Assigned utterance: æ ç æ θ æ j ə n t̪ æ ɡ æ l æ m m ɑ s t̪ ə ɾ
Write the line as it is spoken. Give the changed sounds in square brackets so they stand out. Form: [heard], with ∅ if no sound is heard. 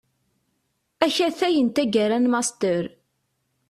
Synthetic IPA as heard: æ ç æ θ æ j ə n t̪ æ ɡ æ [ɾ] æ [n] m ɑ s t̪ ə ɾ